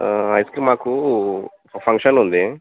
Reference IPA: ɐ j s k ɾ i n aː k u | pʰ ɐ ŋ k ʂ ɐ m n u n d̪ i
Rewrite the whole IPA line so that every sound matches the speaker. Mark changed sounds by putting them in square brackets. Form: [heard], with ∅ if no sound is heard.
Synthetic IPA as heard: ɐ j s k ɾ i [m] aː k u | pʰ ɐ ŋ k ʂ ɐ [∅] n u n d̪ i